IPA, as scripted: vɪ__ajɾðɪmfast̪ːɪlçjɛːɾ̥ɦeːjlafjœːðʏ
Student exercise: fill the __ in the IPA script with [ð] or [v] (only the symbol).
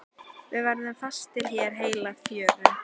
v